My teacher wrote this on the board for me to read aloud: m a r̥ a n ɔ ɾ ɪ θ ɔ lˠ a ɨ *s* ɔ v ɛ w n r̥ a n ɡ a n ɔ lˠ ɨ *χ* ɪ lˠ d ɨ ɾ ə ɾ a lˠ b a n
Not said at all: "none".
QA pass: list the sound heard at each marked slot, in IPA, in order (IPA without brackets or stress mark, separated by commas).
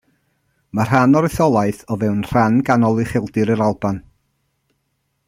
θ, χ